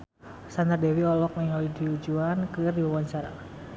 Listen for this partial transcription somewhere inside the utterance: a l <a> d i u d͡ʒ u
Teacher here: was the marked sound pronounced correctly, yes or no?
no